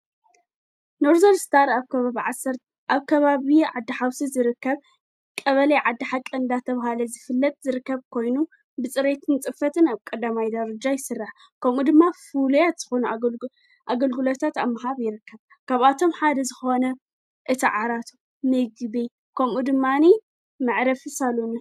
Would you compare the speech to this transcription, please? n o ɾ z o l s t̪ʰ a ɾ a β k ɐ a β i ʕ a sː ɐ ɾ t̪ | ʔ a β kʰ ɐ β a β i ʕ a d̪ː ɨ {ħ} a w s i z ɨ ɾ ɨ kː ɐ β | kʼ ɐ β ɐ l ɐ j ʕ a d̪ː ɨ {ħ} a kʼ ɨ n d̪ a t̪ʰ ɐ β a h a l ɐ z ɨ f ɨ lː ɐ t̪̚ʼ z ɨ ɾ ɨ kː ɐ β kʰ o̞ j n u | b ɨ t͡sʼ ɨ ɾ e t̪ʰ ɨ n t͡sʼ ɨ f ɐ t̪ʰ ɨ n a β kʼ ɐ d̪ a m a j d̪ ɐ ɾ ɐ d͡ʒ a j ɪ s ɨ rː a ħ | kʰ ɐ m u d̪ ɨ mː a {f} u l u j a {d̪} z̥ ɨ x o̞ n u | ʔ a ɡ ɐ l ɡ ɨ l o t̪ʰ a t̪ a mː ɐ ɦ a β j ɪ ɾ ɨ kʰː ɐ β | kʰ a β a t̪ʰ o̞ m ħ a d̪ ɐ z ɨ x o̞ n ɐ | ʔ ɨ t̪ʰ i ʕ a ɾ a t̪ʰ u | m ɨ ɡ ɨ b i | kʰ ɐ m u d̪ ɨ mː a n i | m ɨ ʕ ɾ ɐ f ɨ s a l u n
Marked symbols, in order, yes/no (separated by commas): yes, yes, yes, no